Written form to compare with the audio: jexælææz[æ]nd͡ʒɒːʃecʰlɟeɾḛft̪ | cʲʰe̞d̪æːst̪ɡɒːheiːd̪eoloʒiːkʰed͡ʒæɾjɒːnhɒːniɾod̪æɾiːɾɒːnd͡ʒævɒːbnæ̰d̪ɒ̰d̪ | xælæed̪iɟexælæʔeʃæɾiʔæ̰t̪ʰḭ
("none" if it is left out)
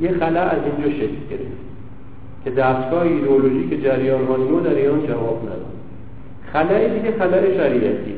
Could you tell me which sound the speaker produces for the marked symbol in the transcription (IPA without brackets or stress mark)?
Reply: i